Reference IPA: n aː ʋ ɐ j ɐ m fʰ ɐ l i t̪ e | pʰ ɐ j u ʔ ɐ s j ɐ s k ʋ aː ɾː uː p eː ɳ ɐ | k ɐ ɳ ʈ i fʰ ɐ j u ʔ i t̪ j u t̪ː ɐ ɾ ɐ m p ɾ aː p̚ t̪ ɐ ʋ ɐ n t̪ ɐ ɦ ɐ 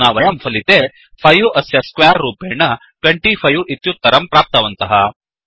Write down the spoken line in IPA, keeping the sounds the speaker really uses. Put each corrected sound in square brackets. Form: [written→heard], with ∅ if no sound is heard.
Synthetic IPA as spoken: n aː ʋ ɐ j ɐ m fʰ ɐ l i t̪ e | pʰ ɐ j u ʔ ɐ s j ɐ s k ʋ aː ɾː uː p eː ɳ ɐ | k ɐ ɳ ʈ i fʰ ɐ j u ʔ i t̪ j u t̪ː ɐ ɾ ɐ m p ɾ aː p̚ t̪ ɐ ʋ ɐ n t̪ ɐ ɦ ɐ

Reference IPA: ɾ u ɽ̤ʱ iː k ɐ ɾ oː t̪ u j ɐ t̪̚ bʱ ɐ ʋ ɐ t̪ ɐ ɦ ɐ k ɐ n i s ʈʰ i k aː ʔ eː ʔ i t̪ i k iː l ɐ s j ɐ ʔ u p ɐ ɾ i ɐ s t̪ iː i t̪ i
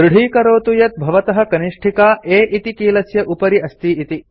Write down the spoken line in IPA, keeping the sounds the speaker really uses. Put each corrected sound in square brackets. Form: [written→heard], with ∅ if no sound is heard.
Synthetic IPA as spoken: ɾ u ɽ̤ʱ iː k ɐ ɾ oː t̪ u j ɐ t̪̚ bʱ ɐ ʋ ɐ t̪ ɐ ɦ ɐ k ɐ n i [s→ʂ] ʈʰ i k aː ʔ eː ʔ i t̪ i k iː l ɐ s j ɐ ʔ u p ɐ ɾ i ɐ s t̪ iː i t̪ i

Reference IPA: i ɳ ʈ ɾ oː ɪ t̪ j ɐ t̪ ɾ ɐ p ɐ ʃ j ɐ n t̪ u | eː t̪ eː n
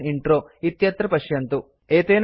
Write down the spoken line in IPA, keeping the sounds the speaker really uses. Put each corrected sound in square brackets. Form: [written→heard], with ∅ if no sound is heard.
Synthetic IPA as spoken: i ɳ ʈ ɾ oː [ɪ→i] t̪ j ɐ t̪ ɾ ɐ p ɐ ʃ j ɐ n t̪ u | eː t̪ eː n

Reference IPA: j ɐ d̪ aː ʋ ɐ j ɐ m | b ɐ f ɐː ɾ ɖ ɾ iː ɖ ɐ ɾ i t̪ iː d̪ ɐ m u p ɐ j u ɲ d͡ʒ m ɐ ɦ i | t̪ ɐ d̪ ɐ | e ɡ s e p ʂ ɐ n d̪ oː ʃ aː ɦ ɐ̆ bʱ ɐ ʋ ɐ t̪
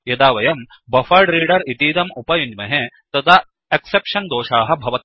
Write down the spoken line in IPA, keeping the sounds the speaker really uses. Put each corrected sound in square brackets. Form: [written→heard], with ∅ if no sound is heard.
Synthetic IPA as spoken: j ɐ d̪ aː ʋ ɐ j ɐ m | b ɐ f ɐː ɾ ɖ ɾ iː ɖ ɐ ɾ i t̪ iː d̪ ɐ m u p ɐ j u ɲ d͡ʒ m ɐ ɦ [i→e] | t̪ ɐ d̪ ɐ | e [ɡ→k] s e p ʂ ɐ n d̪ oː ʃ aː ɦ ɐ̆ bʱ ɐ ʋ ɐ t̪

